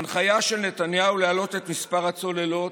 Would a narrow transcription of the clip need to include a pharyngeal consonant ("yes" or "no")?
no